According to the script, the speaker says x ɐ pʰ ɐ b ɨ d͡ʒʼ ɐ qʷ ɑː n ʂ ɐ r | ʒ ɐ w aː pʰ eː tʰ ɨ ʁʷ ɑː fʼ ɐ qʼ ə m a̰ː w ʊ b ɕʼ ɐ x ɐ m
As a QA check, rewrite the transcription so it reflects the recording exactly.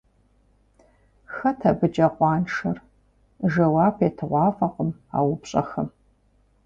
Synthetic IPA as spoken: x ɐ tʰ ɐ b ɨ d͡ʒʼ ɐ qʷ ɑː n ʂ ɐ r | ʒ ɐ w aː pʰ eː tʰ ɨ ʁʷ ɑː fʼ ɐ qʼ ə m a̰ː w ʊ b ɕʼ ɐ x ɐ m